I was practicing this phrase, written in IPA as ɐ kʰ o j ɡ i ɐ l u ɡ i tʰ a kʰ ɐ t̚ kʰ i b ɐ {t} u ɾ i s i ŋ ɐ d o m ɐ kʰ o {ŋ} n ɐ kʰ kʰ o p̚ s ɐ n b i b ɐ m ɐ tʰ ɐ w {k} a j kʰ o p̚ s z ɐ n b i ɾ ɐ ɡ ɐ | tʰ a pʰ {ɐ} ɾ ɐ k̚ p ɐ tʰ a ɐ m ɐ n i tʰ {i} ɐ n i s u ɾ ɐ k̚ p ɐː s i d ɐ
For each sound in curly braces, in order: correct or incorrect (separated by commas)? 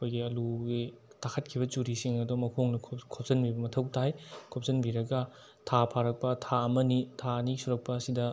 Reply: incorrect, correct, incorrect, incorrect, incorrect